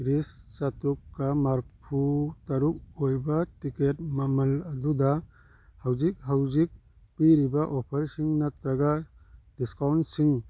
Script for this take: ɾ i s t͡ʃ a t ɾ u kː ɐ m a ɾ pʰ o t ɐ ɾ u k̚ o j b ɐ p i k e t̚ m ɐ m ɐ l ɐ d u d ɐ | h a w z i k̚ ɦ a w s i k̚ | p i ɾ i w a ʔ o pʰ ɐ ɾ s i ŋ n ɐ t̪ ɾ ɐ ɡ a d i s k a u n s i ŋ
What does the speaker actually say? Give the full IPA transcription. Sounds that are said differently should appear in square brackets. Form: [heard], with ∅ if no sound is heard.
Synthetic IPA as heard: ɾ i s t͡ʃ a t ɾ u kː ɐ m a ɾ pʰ [u] t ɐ ɾ u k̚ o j b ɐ [t] i k e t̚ m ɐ m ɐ l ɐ d u d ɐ | h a w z i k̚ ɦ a w [z] i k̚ | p i ɾ i [b] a ʔ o pʰ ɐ ɾ s i ŋ n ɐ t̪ ɾ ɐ ɡ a d i s k a [w] n s i ŋ